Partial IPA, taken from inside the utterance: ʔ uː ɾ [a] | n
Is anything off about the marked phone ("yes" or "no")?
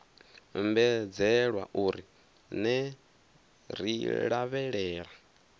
yes